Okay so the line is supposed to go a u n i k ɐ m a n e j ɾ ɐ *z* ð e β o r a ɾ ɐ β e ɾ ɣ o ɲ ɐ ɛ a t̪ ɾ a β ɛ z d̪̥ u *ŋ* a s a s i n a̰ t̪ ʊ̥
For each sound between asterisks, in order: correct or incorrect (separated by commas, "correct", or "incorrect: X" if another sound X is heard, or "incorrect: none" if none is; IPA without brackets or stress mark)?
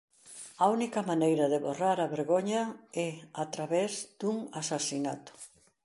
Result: incorrect: none, correct